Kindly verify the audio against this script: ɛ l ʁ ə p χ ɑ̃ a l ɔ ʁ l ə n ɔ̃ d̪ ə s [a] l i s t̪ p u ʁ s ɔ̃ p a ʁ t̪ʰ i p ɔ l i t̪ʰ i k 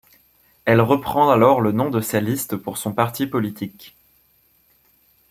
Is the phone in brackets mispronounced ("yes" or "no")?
no